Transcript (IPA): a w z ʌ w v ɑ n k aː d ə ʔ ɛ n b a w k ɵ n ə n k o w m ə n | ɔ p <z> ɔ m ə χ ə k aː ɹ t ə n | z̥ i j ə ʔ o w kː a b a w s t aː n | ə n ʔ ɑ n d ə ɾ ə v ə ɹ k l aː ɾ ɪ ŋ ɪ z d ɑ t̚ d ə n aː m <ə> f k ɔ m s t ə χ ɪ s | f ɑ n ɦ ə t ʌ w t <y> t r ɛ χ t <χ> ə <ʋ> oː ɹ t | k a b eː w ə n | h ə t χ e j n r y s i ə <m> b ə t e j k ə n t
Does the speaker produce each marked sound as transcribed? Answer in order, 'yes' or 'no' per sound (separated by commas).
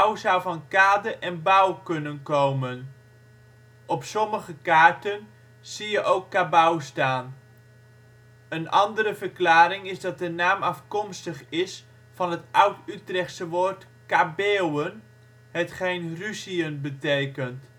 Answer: no, no, yes, no, yes, no